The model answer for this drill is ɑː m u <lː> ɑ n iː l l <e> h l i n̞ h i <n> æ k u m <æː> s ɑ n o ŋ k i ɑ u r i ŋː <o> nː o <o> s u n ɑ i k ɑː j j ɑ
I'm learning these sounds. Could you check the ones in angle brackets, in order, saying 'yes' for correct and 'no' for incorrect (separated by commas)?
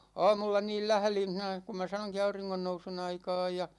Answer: yes, no, yes, no, yes, no